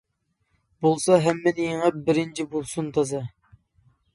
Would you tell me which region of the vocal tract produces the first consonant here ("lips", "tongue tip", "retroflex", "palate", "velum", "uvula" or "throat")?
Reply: lips